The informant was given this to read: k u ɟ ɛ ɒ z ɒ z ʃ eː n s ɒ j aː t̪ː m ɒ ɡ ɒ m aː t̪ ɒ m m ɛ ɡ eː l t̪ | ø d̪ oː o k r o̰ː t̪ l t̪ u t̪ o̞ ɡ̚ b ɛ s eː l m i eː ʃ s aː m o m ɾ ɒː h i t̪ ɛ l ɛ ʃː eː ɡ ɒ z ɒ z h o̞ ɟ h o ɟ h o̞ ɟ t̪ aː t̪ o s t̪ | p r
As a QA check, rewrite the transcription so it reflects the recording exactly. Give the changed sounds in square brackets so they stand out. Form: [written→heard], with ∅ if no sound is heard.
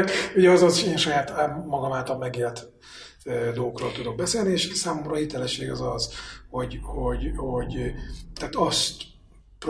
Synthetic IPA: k u ɟ ɛ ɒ z ɒ z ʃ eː n [s→ʃ] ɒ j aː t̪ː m ɒ ɡ ɒ m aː t̪ ɒ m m ɛ ɡ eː l t̪ | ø d̪ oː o k r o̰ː [t̪→∅] l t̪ u [t̪→d̪] o̞ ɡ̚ b ɛ s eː l [m→n] i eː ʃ s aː m o m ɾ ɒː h i t̪ ɛ l ɛ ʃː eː ɡ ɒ z ɒ z h o̞ ɟ h o ɟ h o̞ ɟ t̪ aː t̪ [o→ɒ] s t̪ | p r